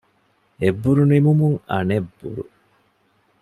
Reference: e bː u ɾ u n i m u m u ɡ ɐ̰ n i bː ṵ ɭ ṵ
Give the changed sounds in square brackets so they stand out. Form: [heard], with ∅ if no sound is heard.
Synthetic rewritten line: e bː u ɾ u n i m u m u [ŋ] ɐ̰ n [e] bː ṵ [ɾ] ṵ

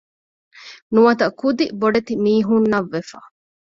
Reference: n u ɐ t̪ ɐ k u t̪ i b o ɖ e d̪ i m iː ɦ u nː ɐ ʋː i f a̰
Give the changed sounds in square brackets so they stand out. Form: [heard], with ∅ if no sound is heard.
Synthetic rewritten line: n u ɐ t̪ ɐ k u [d̪] i b o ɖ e [t̪] i m iː ɦ u nː ɐ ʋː [e] f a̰

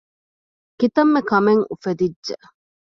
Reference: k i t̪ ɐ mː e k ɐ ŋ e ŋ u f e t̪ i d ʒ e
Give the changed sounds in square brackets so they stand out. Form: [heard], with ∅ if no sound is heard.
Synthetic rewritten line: k i t̪ ɐ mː e k ɐ [m] e ŋ u f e [d̪] i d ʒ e

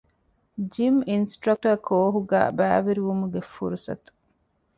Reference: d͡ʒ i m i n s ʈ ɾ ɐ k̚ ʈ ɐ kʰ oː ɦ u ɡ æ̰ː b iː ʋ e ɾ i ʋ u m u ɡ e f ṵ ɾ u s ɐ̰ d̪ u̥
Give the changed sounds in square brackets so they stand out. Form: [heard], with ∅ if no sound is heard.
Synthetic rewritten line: d͡ʒ i m i n s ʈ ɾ ɐ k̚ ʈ ɐ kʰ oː ɦ u ɡ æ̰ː b [æː] ʋ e ɾ i ʋ u m u ɡ e f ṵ ɾ u s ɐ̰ [t̪] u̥

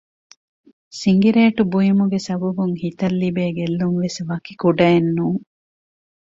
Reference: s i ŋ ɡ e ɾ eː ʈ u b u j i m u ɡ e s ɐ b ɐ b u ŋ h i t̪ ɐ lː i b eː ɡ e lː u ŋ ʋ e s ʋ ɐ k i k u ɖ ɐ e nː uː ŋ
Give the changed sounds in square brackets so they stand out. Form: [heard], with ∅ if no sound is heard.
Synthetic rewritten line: s i ŋ ɡ [i] ɾ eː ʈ u b u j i m u ɡ e s ɐ b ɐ b u ŋ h i t̪ ɐ lː i b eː ɡ e lː u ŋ ʋ e s ʋ ɐ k i k u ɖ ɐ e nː uː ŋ

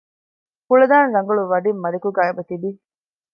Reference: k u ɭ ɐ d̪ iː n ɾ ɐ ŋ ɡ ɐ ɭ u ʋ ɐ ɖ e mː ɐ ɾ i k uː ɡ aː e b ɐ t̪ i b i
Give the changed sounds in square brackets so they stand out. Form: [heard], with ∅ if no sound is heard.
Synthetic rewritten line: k u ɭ ɐ d̪ [aː] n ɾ ɐ ŋ ɡ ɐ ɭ u ʋ ɐ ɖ [i] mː ɐ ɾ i k [u] ɡ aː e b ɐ t̪ i b i

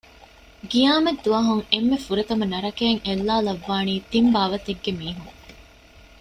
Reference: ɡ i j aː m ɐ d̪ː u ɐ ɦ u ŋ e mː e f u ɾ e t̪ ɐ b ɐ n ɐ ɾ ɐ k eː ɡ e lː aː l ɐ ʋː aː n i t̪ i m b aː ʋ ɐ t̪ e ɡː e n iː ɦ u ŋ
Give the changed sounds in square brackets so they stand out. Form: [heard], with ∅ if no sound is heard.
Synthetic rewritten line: ɡ i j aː m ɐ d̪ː u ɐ ɦ u ŋ e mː e f u ɾ e t̪ ɐ [m] ɐ n ɐ ɾ ɐ k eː [ŋ] e lː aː l ɐ ʋː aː n [iː] t̪ i m b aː ʋ ɐ t̪ e ɡː e [m] iː ɦ u ŋ

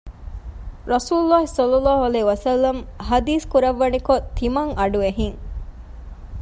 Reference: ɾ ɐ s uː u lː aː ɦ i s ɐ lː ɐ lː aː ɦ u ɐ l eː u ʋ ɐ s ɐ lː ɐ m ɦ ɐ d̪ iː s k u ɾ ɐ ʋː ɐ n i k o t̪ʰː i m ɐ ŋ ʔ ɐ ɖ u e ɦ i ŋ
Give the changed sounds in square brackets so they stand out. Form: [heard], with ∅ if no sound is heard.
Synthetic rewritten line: ɾ ɐ s uː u lː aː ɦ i s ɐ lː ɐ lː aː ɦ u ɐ l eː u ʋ ɐ s ɐ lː ɐ m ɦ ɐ d̪ iː s k u ɾ ɐ ʋː ɐ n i k o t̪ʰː i m ɐ ŋ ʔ ɐ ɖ u e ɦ i ŋ

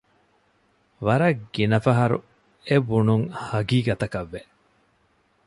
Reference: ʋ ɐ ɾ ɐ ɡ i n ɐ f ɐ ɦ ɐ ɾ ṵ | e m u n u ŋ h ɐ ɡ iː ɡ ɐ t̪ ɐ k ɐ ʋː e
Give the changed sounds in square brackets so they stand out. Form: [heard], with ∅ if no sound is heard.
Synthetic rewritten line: ʋ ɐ ɾ ɐ ɡ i n ɐ f ɐ ɦ ɐ ɾ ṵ | e [b] u n u ŋ h ɐ ɡ iː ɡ ɐ t̪ ɐ k ɐ ʋː e

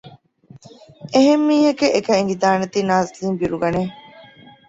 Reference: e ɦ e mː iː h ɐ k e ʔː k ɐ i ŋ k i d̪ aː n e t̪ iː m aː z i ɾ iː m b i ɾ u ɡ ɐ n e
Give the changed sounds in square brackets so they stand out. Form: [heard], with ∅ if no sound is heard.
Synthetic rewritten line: e ɦ e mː iː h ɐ k e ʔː k ɐ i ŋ [ɡ] i d̪ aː n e t̪ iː [n] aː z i [l] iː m b i ɾ u ɡ ɐ n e

